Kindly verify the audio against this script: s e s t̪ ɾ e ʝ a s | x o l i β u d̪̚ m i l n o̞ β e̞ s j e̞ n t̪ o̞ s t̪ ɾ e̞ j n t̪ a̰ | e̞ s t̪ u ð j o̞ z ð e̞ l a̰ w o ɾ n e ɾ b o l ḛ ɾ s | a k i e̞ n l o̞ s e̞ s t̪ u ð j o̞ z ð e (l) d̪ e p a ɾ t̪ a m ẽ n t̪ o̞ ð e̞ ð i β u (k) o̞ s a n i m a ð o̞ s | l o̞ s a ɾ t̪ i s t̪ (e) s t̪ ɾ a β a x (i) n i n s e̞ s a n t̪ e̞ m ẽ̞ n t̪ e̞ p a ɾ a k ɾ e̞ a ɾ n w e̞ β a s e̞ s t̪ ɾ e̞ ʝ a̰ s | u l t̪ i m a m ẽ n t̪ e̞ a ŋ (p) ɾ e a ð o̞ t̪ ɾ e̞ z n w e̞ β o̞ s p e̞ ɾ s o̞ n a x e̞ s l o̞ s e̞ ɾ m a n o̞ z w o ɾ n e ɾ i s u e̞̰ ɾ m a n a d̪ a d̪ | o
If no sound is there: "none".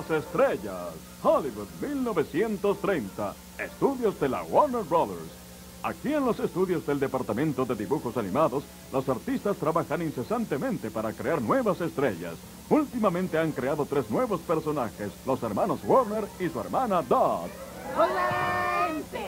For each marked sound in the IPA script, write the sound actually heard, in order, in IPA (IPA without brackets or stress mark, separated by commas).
l, x, a, a, k